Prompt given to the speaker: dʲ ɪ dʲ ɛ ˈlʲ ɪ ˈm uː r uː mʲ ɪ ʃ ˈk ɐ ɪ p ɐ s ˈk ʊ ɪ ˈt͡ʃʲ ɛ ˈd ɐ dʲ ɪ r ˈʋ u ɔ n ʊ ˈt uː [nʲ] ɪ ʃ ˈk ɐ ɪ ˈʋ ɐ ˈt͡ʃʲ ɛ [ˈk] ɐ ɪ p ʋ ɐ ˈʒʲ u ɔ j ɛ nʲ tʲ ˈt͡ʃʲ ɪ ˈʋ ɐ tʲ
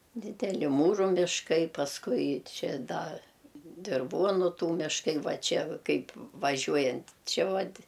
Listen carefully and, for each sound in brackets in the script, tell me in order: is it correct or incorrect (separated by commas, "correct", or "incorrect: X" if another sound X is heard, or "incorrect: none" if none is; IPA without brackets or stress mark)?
incorrect: mʲ, correct